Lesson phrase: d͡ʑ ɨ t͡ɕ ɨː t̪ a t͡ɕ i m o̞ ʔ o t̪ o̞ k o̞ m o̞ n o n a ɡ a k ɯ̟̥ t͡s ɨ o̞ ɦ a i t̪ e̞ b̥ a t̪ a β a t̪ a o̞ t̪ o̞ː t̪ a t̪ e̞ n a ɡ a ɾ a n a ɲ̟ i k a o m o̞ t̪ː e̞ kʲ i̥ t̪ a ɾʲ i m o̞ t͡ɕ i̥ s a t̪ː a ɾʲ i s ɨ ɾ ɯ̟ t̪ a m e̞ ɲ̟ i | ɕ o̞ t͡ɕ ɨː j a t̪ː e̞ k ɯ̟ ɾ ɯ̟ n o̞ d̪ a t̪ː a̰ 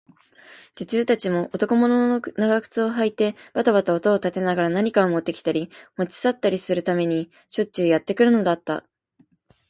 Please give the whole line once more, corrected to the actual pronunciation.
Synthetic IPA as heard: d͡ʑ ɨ t͡ɕ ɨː t̪ a t͡ɕ i m o̞ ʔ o t̪ o̞ k o̞ m o̞ n o n a ɡ a k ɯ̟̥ t͡s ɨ o̞ ɦ a i t̪ e̞ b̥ a t̪ a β a t̪ a o̞ t̪ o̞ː t̪ a t̪ e̞ n a ɡ a ɾ a n a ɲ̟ i k a o m o̞ t̪ː e̞ kʲ i̥ t̪ a ɾʲ i m o̞ t͡ɕ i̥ s a t̪ː a ɾʲ i s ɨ ɾ ɯ̟ t̪ a m e̞ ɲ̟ i | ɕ o̞ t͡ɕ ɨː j a t̪ː e̞ k ɯ̟ ɾ ɯ̟ n o̞ d̪ a t̪ː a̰

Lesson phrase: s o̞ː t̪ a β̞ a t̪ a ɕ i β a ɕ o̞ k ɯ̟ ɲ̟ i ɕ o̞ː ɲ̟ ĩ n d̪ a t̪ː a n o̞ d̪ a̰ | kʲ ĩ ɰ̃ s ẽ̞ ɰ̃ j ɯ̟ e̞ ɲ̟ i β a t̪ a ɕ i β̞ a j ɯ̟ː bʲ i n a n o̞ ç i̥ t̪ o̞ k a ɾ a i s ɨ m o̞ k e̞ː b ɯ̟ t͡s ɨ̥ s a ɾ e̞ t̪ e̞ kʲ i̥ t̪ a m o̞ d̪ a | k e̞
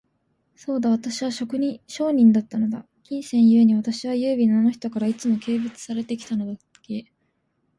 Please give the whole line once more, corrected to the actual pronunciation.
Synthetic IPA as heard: s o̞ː d̪ a β̞ a t̪ a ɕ i β a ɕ o̞ k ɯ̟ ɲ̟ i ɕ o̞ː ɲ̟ ĩ n d̪ a t̪ː a n o̞ d̪ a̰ | kʲ ĩ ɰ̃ s ẽ̞ ɰ̃ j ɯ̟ e̞ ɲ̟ i β a t̪ a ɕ i β̞ a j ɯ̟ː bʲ i n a n o̞ ç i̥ t̪ o̞ k a ɾ a i t͡s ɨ m o̞ k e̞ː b ɯ̟ t͡s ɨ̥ s a ɾ e̞ t̪ e̞ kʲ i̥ t̪ a n o̞ d̪ a | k e̞

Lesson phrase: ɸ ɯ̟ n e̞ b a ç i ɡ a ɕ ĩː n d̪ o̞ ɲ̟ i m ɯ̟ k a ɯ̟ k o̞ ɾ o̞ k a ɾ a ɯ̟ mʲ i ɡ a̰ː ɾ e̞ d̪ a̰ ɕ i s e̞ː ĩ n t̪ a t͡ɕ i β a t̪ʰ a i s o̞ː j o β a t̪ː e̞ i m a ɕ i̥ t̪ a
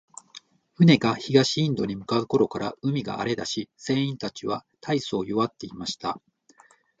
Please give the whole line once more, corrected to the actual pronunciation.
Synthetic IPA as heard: ɸ ɯ̟ n e̞ ɡ a ç i ɡ a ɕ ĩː n d̪ o̞ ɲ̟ i m ɯ̟ k a ɯ̟ k o̞ ɾ o̞ k a ɾ a ɯ̟ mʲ i ɡ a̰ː ɾ e̞ d̪ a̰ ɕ i s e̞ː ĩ n t̪ a t͡ɕ i β a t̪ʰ a i s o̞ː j o β a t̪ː e̞ i m a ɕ i̥ t̪ a

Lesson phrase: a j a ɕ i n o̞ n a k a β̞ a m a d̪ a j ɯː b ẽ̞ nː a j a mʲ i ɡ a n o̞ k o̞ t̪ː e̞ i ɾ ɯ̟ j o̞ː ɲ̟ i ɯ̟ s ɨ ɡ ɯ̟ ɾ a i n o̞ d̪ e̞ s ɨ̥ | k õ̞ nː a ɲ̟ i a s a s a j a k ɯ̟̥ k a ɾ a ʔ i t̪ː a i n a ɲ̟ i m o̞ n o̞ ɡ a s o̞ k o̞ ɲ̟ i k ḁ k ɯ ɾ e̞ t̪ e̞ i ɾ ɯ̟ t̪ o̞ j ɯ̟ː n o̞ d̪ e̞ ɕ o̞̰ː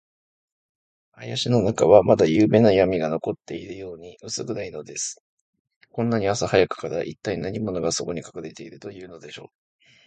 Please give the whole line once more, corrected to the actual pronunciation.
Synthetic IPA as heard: a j a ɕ i n o̞ n a k a β̞ a m a d̪ a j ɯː b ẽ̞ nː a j a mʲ i ɡ a n o̞ k o̞ t̪ː e̞ i ɾ ɯ̟ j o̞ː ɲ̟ i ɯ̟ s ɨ ɡ ɯ̟ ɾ a i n o̞ d̪ e̞ s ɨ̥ | k õ̞ nː a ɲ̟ i a s a h a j a k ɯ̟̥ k a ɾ a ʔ i t̪ː a i n a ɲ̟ i m o̞ n o̞ ɡ a s o̞ k o̞ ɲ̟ i k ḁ k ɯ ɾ e̞ t̪ e̞ i ɾ ɯ̟ t̪ o̞ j ɯ̟ː n o̞ d̪ e̞ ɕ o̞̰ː

